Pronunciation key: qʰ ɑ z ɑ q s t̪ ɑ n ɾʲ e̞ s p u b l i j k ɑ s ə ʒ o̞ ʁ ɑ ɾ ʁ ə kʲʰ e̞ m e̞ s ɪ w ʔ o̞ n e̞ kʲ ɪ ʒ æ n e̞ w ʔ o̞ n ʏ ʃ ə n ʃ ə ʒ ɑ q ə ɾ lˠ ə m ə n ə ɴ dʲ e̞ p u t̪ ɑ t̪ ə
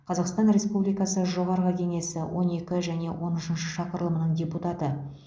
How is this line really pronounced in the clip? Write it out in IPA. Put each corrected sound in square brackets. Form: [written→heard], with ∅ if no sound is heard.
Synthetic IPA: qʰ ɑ z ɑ q s t̪ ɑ n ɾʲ e̞ s p u b l i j k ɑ s ə ʒ o̞ ʁ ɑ ɾ ʁ ə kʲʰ e̞ [m→ŋ] e̞ s ɪ w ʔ o̞ n e̞ kʲ ɪ ʒ æ n e̞ w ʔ o̞ n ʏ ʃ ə n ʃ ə [ʒ→ʃ] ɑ q ə ɾ lˠ ə m ə n ə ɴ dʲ e̞ p u t̪ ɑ t̪ ə